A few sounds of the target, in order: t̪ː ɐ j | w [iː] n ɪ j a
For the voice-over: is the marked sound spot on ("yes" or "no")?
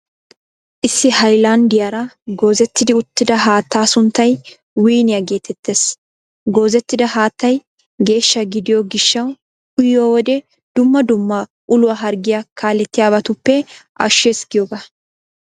yes